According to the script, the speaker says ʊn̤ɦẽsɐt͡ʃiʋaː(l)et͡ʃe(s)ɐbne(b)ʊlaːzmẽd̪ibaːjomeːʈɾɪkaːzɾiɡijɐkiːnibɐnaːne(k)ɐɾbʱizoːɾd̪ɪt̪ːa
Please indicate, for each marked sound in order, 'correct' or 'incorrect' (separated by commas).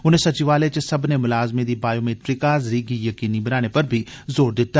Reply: correct, correct, incorrect, incorrect